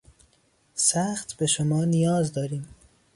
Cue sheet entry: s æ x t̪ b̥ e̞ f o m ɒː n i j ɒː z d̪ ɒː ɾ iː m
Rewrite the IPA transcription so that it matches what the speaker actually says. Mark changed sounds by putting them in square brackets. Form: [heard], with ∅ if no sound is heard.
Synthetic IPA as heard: s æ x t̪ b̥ e̞ [ʃ] o m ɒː n i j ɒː z d̪ ɒː ɾ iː m